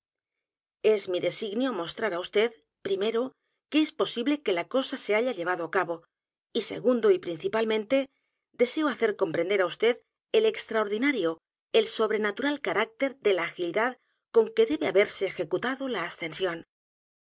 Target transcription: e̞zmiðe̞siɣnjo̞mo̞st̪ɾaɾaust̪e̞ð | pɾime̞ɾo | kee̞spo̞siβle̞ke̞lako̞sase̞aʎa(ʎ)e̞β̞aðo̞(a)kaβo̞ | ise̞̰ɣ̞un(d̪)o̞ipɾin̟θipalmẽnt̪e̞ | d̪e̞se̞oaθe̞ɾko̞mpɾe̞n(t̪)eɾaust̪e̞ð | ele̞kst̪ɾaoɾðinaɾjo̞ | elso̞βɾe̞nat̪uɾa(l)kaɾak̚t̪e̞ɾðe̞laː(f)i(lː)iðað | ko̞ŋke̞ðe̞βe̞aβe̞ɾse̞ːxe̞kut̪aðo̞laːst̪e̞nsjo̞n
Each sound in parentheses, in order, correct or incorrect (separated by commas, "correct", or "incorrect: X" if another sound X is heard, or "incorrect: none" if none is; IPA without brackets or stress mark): correct, correct, correct, incorrect: d̪, correct, incorrect: x, incorrect: l